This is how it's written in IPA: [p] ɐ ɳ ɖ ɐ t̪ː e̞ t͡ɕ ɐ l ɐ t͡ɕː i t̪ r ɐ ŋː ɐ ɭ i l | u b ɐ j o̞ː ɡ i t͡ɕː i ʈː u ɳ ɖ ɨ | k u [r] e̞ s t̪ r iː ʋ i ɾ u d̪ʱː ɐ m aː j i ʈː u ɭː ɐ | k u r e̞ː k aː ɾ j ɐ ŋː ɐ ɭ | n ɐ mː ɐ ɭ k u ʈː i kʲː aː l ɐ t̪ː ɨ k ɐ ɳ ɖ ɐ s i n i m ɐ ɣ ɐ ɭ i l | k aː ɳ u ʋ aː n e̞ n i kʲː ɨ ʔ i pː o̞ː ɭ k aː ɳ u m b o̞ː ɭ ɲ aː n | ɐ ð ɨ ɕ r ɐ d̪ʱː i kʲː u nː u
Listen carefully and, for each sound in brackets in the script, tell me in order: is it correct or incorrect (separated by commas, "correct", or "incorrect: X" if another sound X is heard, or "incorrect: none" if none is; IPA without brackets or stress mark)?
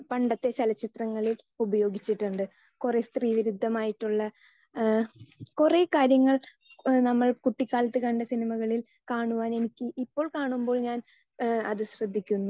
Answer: correct, correct